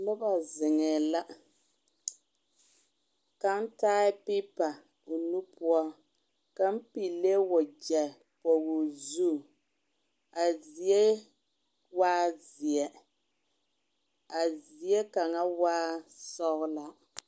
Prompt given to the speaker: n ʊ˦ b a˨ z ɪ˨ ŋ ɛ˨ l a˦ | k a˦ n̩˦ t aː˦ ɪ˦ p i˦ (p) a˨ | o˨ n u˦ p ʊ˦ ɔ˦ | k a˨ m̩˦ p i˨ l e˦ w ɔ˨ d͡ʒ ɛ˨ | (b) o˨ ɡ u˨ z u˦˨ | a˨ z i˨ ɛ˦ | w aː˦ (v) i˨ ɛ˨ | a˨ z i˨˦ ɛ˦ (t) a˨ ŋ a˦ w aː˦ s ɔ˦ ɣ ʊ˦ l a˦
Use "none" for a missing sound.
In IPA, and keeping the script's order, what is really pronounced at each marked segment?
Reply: p, p, z, k

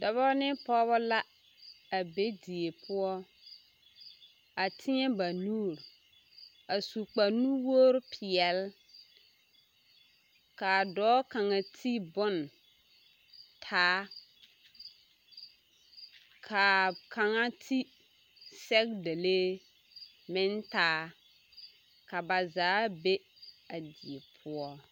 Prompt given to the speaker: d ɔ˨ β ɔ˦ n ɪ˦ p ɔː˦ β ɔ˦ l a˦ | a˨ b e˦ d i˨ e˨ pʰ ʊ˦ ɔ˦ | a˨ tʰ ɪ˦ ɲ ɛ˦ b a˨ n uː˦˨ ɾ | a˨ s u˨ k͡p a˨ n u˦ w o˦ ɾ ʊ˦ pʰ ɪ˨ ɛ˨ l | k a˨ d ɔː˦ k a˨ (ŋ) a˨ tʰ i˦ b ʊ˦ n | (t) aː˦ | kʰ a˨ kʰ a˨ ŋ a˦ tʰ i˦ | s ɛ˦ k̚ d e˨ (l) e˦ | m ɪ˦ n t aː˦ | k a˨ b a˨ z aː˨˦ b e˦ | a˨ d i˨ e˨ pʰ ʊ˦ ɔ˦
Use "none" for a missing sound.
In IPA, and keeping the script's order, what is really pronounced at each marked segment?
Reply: ŋ, tʰ, l

